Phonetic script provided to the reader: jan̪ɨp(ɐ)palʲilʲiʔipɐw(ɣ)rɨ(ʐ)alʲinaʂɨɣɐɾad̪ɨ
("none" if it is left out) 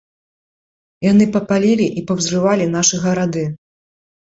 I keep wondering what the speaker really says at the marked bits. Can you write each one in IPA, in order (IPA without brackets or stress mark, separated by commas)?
ɐ, z, v